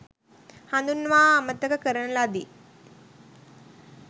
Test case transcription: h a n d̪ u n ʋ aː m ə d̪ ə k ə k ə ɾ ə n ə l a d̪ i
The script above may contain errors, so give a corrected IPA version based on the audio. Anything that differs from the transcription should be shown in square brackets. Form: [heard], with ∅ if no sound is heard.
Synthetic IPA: h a n d̪ u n ʋ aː m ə [t̪] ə k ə k ə ɾ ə n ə l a d̪ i